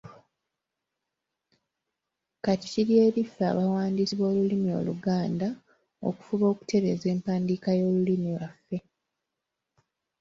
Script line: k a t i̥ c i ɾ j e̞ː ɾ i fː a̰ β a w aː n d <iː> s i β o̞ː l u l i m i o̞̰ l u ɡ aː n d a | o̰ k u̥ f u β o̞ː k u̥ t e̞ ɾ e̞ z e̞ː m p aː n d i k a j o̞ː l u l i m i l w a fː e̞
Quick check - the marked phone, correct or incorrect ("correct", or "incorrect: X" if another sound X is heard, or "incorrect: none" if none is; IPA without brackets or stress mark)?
incorrect: i